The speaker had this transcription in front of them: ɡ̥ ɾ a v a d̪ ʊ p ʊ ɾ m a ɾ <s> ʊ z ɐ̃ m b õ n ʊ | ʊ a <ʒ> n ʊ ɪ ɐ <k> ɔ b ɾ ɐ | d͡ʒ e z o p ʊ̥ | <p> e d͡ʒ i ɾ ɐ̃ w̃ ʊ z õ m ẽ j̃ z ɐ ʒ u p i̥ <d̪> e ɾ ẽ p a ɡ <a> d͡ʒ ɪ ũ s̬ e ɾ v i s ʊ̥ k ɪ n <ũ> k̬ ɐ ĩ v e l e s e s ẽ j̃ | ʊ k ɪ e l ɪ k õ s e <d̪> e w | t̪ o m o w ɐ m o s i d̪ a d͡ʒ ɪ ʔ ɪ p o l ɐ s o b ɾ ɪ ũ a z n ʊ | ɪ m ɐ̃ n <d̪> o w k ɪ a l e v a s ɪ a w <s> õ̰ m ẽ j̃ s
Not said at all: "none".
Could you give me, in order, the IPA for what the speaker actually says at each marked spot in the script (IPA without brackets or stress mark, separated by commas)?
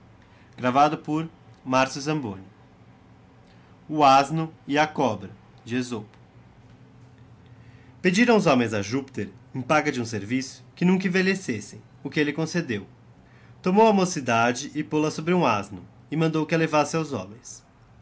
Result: s, z, k, p, t̪, ɐ, ũ, d̪, d̪, z